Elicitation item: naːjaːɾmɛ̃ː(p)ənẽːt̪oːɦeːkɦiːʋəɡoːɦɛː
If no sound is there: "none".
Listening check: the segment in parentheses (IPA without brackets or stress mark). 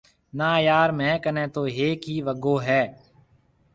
k